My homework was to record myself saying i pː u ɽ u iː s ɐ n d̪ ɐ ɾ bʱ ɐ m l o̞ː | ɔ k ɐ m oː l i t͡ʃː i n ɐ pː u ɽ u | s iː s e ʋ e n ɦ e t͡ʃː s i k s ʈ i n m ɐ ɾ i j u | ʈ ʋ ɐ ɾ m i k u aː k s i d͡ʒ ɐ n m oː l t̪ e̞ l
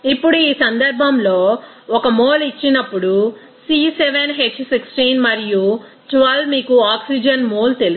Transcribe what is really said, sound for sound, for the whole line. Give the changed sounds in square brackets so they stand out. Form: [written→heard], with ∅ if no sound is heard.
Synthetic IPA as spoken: i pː u ɽ u iː s ɐ n d̪ ɐ ɾ bʱ ɐ m l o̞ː | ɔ k ɐ m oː l i t͡ʃː i n ɐ pː u ɽ u | s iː s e ʋ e n ɦ e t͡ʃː s i k s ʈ i n m ɐ ɾ i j u | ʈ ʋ ɐ [ɾ→l] m [i→iː] k u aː k s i d͡ʒ ɐ n m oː l t̪ e̞ l